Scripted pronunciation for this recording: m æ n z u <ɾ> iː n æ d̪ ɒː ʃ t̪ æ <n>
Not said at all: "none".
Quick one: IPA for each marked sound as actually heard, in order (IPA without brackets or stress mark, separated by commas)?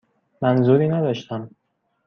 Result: ɾ, m